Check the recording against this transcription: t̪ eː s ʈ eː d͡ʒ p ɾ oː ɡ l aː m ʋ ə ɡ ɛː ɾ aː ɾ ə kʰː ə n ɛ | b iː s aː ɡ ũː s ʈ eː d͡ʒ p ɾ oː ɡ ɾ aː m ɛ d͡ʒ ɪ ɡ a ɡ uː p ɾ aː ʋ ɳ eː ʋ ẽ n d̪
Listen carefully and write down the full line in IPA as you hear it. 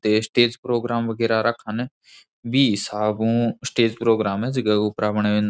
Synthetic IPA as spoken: t̪ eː s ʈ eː d͡ʒ p ɾ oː ɡ ɾ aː m ʋ ə ɡ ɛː ɾ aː ɾ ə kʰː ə n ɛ | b iː s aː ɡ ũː s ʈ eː d͡ʒ p ɾ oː ɡ ɾ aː m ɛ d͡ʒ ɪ ɡ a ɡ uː p ɾ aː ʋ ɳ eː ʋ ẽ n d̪